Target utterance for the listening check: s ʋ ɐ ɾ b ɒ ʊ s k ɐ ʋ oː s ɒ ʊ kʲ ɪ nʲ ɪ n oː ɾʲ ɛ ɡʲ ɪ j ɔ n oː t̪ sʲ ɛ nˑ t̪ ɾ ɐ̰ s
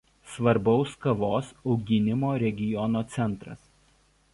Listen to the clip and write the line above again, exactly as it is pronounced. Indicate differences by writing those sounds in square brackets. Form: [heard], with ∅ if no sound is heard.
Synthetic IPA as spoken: s ʋ ɐ ɾ b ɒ ʊ s k ɐ ʋ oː s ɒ ʊ [ɡʲ] ɪ nʲ ɪ [m] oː ɾʲ ɛ ɡʲ ɪ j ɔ n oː t̪ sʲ ɛ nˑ t̪ ɾ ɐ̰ s